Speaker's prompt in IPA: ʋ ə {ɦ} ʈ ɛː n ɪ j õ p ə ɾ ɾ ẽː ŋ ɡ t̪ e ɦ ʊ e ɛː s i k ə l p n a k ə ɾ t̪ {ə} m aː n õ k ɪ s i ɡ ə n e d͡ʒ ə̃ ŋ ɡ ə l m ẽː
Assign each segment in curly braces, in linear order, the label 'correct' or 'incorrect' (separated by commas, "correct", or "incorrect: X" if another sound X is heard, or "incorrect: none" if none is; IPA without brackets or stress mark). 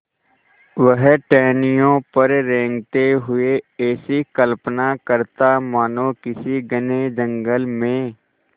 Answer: correct, incorrect: a